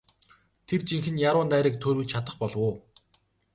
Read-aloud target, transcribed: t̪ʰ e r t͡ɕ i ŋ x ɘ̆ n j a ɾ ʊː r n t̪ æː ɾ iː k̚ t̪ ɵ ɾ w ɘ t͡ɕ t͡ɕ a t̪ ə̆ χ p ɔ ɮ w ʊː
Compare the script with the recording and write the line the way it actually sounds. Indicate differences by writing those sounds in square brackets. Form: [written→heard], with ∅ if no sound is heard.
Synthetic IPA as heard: t̪ʰ e r t͡ɕ i ŋ x ɘ̆ n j a ɾ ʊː [r→∅] n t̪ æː ɾ iː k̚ [t̪→t̪ʰ] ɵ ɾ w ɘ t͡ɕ [t͡ɕ→t͡ɕʰ] a t̪ ə̆ χ p ɔ ɮ w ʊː